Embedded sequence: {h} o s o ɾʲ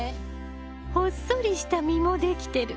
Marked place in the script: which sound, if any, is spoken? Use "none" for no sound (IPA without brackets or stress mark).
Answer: h